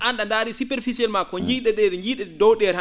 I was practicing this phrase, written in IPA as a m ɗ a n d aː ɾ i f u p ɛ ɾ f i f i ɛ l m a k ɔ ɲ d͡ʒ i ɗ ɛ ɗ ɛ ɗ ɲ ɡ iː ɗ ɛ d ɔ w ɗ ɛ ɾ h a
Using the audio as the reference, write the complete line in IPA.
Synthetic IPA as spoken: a n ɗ a n d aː ɾ i s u p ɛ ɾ f i s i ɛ l m a k ɔ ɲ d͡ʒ i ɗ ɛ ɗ ɛ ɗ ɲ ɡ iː ɗ ɛ d ɔ w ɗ ɛ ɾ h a